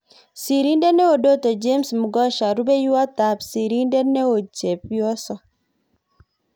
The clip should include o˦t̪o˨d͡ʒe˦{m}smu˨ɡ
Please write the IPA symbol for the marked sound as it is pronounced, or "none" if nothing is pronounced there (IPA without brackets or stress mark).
m